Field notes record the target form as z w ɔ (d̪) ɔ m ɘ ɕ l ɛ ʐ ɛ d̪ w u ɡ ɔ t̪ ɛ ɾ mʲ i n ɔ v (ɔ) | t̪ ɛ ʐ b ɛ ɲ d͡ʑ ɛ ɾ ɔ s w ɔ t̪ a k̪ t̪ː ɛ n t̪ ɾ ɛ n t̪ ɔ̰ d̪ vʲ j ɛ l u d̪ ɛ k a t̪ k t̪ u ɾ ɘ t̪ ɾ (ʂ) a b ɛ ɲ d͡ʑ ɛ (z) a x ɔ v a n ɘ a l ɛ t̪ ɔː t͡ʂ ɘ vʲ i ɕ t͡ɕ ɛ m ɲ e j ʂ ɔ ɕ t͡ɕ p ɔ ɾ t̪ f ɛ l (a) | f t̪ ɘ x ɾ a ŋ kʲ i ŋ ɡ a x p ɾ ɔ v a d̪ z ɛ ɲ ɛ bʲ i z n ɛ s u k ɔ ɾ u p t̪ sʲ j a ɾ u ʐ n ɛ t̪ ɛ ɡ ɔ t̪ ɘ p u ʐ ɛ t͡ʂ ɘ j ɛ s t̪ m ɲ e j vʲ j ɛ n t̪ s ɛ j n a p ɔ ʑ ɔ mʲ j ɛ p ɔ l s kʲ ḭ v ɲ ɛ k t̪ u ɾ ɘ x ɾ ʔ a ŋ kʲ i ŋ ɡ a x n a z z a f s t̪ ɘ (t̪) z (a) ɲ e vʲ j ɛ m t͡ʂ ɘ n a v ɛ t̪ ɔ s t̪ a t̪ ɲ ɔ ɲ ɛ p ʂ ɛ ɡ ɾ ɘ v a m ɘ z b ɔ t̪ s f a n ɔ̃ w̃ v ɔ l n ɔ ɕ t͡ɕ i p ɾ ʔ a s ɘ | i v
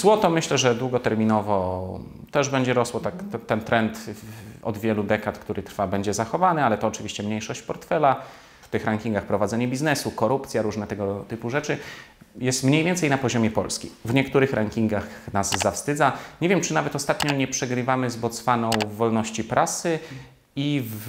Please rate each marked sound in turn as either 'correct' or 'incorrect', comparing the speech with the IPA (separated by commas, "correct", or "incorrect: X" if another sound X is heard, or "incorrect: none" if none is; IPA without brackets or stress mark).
incorrect: t̪, correct, incorrect: f, correct, correct, incorrect: d̪, correct